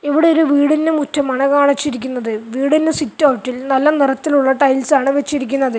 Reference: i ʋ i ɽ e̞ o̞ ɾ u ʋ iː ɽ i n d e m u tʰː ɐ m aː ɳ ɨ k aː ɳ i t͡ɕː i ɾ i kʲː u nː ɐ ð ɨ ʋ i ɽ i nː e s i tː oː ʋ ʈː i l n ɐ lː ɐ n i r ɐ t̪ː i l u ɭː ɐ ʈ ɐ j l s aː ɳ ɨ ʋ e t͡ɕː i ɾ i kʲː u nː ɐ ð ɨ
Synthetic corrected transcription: i ʋ i ɽ e̞ o̞ ɾ u ʋ iː ɽ i n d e m u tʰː ɐ m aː ɳ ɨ k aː ɳ i t͡ɕː i ɾ i kʲː u nː ɐ ð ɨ ʋ iː ɽ i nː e s i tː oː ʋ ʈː i l n ɐ lː ɐ n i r ɐ t̪ː i l u ɭː ɐ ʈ ɐ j l s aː ɳ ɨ ʋ e t͡ɕː i ɾ i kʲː u nː ɐ ð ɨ